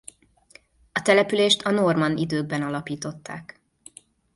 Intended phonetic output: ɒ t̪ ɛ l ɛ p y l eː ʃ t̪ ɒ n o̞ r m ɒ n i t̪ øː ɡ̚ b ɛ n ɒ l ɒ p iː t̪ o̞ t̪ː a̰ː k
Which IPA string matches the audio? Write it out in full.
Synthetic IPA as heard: ɒ t̪ ɛ l ɛ p y l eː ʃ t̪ ɒ n o̞ r m ɒ n i d̪ øː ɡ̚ b ɛ n ɒ l ɒ p iː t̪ o̞ t̪ː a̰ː k

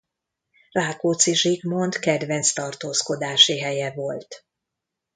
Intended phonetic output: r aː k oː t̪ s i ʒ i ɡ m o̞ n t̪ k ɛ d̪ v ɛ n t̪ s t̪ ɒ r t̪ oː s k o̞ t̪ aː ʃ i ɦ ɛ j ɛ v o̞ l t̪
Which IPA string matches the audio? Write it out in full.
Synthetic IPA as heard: r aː k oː t̪ s i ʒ i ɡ m o̞ n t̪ k ɛ d̪ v ɛ n t̪ s t̪ ɒ r t̪ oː s k o̞ d̪ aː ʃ i ɦ ɛ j ɛ v o̞ l t̪

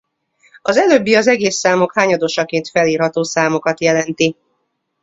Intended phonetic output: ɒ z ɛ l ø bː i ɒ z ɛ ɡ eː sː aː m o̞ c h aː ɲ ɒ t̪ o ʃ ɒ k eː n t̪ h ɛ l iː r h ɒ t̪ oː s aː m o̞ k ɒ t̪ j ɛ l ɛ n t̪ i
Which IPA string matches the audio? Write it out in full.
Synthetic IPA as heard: ɒ z ɛ l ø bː i ɒ z ɛ ɡ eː sː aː m o̞ k h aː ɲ ɒ d̪ o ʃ ɒ k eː n t̪ f ɛ l iː r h ɒ t̪ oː s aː m o̞ k ɒ t̪ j ɛ l ɛ n t̪ i

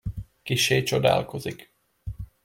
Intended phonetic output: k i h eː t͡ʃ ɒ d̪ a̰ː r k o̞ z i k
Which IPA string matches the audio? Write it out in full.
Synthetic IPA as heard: k i ʃ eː t͡ʃ o d̪ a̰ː l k o̞ z i k

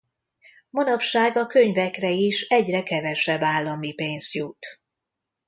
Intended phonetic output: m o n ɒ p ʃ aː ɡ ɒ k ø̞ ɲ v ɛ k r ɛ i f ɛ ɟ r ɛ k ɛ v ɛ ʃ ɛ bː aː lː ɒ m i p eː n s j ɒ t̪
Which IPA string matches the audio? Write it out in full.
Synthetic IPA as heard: m o n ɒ p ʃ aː ɡ ɒ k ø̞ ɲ v ɛ k r ɛ i ʃ ɛ ɟ r ɛ k ɛ v ɛ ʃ ɛ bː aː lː ɒ m i p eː n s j u t̪

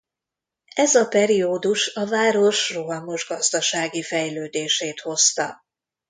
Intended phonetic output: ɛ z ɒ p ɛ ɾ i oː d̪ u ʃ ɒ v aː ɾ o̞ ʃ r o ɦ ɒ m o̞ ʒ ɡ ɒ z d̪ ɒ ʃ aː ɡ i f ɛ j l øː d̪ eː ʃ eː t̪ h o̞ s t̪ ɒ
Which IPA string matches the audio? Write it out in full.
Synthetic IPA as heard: ɛ z ɒ p ɛ ɾ i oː d̪ u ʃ ɒ v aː ɾ o̞ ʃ r o ɦ ɒ m o̞ ʒ ɡ ɒ z d̪ ɒ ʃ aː ɡ i f ɛ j l øː d̪ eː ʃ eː t̪ h o̞ s t̪ ɒ

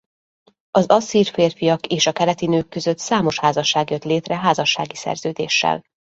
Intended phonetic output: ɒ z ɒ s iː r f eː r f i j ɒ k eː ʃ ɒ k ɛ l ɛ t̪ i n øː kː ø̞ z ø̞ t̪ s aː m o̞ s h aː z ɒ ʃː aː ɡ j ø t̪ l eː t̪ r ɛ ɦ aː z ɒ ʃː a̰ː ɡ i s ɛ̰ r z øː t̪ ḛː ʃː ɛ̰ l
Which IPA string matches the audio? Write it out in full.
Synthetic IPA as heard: ɒ z ɒ s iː r f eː r f i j ɒ k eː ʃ ɒ k ɛ l ɛ t̪ i n øː kː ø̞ z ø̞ t̪ s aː m o̞ ʃ h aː z ɒ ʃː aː ɡ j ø t̪ l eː t̪ r ɛ ɦ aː z ɒ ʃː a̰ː ɡ i s ɛ̰ r z øː d̪ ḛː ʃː ɛ̰ l

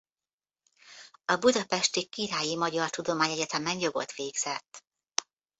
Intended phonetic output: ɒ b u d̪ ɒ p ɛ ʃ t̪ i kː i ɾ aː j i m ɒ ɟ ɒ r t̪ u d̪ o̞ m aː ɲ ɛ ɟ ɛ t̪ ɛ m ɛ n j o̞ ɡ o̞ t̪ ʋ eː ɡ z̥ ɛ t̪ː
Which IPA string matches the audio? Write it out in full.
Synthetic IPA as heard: ɒ b u d̪ ɒ p ɛ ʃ t̪ i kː i ɾ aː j i m ɒ ɟ ɒ r t̪ u d̪ o̞ m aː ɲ ɛ ɟ ɛ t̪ ɛ m ɛ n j o̞ ɡ o̞ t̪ ʋ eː ɡ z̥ ɛ t̪ː

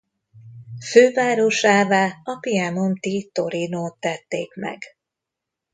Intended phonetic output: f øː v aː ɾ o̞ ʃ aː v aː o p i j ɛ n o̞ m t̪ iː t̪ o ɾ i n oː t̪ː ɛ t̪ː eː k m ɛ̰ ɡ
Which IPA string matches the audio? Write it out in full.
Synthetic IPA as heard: f øː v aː ɾ o̞ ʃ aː v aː ɒ p i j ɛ n o̞ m t̪ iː t̪ o ɾ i n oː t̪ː ɛ t̪ː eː k m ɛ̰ ɡ

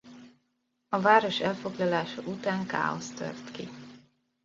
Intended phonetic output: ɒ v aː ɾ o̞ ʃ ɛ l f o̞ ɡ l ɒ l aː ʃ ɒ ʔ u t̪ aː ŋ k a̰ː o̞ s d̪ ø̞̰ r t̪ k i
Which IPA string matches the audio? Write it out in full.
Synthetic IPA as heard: ɒ v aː ɾ o̞ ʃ ɛ l f o̞ ɡ l ɒ l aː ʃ ɒ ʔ u t̪ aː ŋ k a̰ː o̞ s t̪ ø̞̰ r t̪ k i

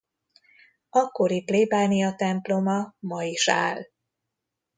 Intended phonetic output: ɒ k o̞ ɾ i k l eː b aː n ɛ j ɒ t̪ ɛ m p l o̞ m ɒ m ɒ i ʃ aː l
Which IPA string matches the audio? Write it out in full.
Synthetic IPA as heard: ɒ k o̞ ɾ i p l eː b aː n i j ɒ t̪ ɛ m p l o̞ m ɒ m ɒ i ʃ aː l

